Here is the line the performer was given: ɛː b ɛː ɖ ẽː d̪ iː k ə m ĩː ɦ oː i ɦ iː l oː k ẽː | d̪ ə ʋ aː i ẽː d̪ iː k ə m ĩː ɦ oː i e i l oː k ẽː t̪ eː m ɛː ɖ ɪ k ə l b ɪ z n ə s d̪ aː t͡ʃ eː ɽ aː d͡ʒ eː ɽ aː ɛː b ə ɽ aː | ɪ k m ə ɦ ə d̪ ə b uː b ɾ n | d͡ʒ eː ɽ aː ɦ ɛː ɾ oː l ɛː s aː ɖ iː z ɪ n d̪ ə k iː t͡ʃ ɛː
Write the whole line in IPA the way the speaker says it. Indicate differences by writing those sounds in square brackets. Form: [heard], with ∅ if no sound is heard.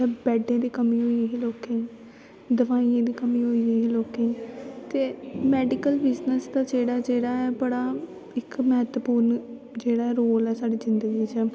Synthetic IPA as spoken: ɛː b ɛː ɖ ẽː d̪ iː k ə m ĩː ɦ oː i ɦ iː l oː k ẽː | d̪ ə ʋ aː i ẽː d̪ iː k ə m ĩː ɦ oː i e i l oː k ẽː t̪ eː m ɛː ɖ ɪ k ə l b ɪ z n ə s d̪ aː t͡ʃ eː ɽ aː d͡ʒ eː ɽ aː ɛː b ə ɽ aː | ɪ k m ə ɦ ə [t̪] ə [p] uː [∅] ɾ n | d͡ʒ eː ɽ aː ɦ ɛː ɾ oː l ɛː s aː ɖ iː z ɪ n d̪ ə [ɡ] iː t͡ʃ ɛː